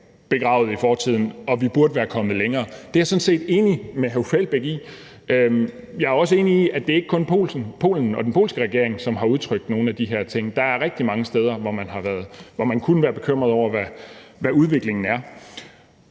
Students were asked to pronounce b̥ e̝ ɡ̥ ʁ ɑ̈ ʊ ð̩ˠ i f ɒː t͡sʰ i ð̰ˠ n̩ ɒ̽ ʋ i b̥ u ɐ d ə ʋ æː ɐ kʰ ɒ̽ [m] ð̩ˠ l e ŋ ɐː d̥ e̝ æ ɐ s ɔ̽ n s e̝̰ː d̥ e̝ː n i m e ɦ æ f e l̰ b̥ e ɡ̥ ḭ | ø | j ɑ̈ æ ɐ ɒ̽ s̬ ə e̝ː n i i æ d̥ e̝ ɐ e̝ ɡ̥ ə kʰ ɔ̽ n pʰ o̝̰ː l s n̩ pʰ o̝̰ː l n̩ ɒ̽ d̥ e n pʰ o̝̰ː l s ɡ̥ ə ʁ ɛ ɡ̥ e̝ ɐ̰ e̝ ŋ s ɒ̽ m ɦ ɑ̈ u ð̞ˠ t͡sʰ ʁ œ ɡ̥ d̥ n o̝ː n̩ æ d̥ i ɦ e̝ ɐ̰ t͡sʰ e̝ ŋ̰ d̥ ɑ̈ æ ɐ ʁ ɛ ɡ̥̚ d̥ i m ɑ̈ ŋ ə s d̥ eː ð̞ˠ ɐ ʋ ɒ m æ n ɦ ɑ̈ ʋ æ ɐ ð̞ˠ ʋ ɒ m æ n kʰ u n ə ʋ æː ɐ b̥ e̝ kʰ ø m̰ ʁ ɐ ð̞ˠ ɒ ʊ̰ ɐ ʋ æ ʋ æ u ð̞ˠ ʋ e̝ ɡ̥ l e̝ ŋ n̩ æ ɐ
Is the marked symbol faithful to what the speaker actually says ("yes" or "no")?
yes